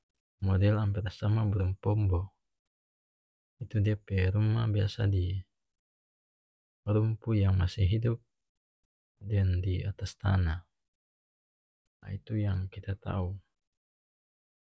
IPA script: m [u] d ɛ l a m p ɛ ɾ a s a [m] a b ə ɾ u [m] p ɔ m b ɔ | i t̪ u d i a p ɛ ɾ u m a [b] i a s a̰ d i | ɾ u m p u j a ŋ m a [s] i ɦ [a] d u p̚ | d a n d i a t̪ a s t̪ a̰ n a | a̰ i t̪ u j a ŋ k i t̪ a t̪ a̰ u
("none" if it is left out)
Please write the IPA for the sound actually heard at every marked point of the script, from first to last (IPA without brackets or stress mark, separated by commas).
ɔ, m, m, b, s, i